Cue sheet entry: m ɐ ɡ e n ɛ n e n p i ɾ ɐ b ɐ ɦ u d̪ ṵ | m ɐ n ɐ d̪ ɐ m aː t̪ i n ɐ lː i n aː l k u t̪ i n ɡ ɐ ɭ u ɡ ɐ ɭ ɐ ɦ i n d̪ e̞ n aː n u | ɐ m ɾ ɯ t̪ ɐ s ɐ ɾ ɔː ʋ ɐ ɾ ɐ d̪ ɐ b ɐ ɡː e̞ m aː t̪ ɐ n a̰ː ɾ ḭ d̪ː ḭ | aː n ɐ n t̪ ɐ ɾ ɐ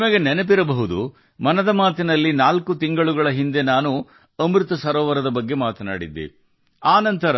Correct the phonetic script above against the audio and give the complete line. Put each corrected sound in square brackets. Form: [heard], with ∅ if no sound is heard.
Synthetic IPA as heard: m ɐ ɡ e n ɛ n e [∅] p i ɾ ɐ b ɐ ɦ u d̪ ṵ | m ɐ n ɐ d̪ ɐ m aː t̪ i n ɐ lː i n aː l k u t̪ i [ŋ] ɡ ɐ ɭ u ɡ ɐ ɭ ɐ ɦ i n d̪ e̞ n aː n u | ɐ m ɾ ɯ t̪ ɐ s ɐ ɾ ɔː ʋ ɐ ɾ ɐ d̪ ɐ b ɐ ɡː e̞ m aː t̪ ɐ n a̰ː [ɽ] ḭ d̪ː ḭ | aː n ɐ n t̪ ɐ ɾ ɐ

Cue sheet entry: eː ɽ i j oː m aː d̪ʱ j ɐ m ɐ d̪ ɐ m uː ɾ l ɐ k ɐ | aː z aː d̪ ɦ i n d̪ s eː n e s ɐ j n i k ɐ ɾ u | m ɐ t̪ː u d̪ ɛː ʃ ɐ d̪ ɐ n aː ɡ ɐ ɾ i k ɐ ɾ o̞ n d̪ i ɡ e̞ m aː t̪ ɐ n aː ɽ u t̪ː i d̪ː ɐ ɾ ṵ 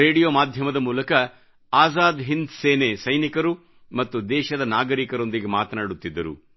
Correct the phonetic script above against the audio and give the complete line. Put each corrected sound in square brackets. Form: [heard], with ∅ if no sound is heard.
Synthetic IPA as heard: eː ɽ i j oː m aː d̪ʱ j ɐ m ɐ d̪ ɐ m uː [∅] l ɐ k ɐ | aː z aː d̪ ɦ i n d̪ s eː n e s ɐ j n i k ɐ ɾ u | m ɐ t̪ː u d̪ ɛː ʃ ɐ d̪ ɐ n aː ɡ ɐ ɾ i k ɐ ɾ o̞ n d̪ i ɡ e̞ m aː t̪ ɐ n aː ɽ u t̪ː i d̪ː ɐ ɾ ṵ

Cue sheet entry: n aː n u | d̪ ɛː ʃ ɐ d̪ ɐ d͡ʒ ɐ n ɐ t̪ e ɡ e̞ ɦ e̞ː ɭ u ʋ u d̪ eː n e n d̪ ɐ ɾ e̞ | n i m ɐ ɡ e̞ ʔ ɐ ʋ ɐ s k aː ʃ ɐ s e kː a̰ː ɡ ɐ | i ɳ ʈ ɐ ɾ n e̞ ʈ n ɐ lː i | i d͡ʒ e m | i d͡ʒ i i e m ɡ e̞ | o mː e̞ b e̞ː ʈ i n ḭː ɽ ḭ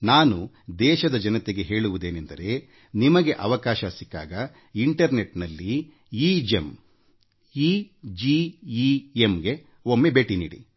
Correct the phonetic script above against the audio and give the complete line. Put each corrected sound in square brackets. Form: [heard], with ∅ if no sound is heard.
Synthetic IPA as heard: n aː n u | d̪ ɛː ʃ ɐ d̪ ɐ d͡ʒ ɐ n ɐ t̪ e ɡ e̞ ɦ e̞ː ɭ u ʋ u d̪ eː n e n d̪ ɐ ɾ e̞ | n i m ɐ ɡ e̞ ʔ ɐ ʋ ɐ [∅] k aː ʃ ɐ s [i] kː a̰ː ɡ ɐ | i ɳ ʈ ɐ ɾ n e̞ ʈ n ɐ lː i | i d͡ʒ e m | i d͡ʒ i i e m ɡ e̞ | o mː e̞ b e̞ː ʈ i n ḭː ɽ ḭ

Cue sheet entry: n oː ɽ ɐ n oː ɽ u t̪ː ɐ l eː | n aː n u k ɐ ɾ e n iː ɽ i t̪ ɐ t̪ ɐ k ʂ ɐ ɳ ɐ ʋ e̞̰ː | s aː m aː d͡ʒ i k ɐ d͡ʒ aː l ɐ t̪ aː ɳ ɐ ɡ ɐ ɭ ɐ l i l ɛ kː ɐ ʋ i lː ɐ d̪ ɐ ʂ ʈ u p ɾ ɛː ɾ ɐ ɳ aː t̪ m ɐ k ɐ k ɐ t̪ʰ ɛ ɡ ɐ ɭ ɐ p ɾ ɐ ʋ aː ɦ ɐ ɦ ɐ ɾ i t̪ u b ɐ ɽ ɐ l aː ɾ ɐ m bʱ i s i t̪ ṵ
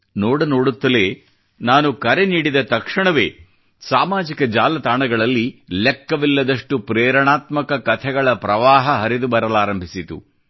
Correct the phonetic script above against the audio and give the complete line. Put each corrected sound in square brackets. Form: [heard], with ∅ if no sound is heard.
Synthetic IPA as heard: n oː ɽ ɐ n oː ɽ u t̪ː ɐ l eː | n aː n u k ɐ ɾ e n iː ɽ i [d̪] ɐ t̪ ɐ k ʂ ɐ ɳ ɐ ʋ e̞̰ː | s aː m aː d͡ʒ i k ɐ d͡ʒ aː l ɐ t̪ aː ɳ ɐ ɡ ɐ ɭ ɐ [lː] i l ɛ kː ɐ ʋ i lː ɐ d̪ ɐ ʂ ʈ u p ɾ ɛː ɾ ɐ ɳ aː t̪ m ɐ k ɐ k ɐ t̪ʰ ɛ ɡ ɐ ɭ ɐ p ɾ ɐ ʋ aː ɦ ɐ ɦ ɐ ɾ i [d̪] u b ɐ [ɾ] ɐ l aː ɾ ɐ m bʱ i s i t̪ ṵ

